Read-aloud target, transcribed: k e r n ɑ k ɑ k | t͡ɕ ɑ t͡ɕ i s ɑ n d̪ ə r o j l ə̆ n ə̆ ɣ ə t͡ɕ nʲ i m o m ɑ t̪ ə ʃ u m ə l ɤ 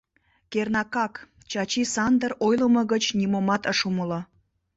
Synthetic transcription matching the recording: k e r n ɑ k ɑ k | t͡ɕ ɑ t͡ɕ i s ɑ n d̪ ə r o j l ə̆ m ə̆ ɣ ə t͡ɕ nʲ i m o m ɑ t̪ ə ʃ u m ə l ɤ

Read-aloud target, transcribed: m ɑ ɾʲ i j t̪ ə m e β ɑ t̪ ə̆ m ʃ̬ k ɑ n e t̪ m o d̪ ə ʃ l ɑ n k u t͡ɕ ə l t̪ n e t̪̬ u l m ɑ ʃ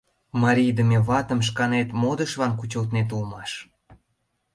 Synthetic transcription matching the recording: m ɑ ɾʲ i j d̪ ə m e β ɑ t̪ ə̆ m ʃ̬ k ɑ n e t̪ m o d̪ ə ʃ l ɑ n k u t͡ɕ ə l t̪ n e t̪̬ u l m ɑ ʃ

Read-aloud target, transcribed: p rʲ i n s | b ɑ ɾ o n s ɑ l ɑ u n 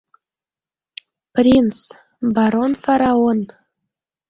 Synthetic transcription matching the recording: p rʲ i n s | b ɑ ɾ o n f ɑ ɾ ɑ o n

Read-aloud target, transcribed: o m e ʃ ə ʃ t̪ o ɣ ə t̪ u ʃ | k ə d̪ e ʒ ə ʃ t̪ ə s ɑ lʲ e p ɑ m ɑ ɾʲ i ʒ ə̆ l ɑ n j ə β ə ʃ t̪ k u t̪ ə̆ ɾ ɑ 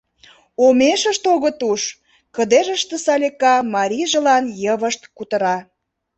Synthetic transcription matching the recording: o m e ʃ ə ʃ t̪ o ɣ ə t̪ u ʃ | k ə d̪ e ʒ ə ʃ t̪ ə s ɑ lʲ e k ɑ m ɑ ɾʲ i ʒ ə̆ l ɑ n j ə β ə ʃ t̪ k u t̪ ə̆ ɾ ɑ

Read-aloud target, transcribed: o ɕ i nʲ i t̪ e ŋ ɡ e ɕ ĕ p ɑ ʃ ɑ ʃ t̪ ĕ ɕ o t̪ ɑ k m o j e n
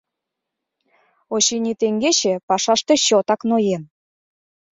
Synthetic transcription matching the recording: o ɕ i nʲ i t̪ e ŋ ɡ e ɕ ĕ p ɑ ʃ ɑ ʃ t̪ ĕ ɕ o t̪ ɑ k n o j e n

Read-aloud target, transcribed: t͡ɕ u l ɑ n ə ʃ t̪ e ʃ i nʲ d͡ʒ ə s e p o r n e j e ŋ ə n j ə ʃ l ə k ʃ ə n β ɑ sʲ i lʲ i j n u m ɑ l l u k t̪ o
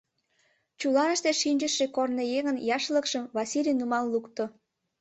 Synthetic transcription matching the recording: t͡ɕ u l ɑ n ə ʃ t̪ e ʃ i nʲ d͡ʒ ə ʃ e k o r n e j e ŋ ə n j ɑ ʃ l ə k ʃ ə m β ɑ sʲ i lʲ i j n u m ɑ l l u k t̪ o

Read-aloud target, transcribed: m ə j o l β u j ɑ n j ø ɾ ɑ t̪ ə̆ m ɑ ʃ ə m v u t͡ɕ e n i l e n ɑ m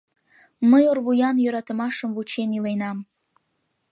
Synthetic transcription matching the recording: m ə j o r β u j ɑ n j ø ɾ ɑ t̪ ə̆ m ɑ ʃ ə m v u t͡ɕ e n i l e n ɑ m

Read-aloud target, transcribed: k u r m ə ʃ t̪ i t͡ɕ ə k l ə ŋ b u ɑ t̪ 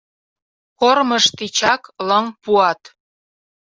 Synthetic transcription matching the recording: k o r m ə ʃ t̪ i t͡ɕ ɑ k l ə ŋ p u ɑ t̪

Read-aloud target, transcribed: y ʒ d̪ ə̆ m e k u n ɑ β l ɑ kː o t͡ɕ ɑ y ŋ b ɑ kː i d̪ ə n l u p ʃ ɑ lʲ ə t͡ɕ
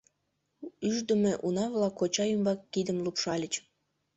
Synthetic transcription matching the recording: y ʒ d̪ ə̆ m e ʔ u n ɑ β l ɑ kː o t͡ɕ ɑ y m b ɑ kː i d̪ ə m l u p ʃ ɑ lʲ ə t͡ɕ

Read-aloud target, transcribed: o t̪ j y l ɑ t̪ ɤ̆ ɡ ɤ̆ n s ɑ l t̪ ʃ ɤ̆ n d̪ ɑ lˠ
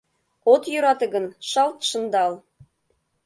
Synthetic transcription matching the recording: o t̪ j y ɾ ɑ t̪ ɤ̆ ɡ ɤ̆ n ʃ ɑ l t̪ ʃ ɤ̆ n d̪ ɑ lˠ

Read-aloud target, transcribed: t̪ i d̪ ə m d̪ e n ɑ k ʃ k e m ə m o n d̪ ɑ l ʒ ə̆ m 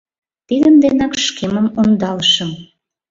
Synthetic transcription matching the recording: t̪ i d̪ ə m d̪ e n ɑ k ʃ k e m ə m o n d̪ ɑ l ʃ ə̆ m

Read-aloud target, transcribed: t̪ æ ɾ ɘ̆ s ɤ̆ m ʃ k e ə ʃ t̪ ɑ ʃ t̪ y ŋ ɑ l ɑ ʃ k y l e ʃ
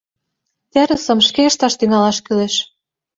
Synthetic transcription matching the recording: t̪ æ ɾ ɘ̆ s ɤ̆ m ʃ k e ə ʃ t̪ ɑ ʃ t̪ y ŋ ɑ l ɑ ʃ k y l e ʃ

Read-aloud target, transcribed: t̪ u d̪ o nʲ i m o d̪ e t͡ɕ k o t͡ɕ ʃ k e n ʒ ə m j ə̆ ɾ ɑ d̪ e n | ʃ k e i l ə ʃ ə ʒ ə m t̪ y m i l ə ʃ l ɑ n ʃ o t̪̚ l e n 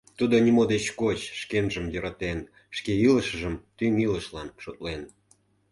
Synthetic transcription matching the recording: t̪ u d̪ o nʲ i m o d̪ e t͡ɕ k o t͡ɕ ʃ k e n ʒ ə m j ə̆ ɾ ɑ t̪ e n | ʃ k e i l ə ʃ ə ʒ ə m t̪ y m i l ə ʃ l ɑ n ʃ o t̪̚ l e n

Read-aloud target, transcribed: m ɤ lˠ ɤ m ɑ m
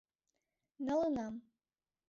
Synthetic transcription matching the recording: n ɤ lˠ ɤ n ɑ m

